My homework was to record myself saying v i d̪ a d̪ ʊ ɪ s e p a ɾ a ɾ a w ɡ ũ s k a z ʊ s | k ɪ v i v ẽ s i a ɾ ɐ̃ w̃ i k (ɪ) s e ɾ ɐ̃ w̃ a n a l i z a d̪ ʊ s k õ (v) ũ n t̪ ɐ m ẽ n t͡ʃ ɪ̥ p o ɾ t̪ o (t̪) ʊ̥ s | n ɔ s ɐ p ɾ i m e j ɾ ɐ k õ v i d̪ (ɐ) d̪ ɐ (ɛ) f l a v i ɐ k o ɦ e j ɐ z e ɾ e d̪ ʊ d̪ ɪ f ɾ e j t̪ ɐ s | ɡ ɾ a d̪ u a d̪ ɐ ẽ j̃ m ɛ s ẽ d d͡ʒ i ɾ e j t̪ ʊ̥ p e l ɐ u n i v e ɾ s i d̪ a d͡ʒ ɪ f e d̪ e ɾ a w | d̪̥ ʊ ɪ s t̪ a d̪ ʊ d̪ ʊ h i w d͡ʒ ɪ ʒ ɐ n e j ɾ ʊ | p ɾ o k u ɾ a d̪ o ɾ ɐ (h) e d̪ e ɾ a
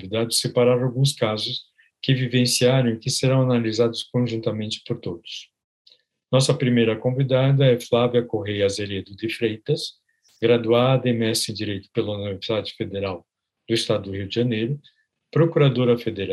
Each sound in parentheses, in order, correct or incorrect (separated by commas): correct, incorrect, incorrect, incorrect, correct, incorrect